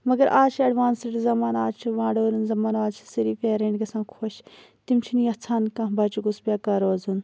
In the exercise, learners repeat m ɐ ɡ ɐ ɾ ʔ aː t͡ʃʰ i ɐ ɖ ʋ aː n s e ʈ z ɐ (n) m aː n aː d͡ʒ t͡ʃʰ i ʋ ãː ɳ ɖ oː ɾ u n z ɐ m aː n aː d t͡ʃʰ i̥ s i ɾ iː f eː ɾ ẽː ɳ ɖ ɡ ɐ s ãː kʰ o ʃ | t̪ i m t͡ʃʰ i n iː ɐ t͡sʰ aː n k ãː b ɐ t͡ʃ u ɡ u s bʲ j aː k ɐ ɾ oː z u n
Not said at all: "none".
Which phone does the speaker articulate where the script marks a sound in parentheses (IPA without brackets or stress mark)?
none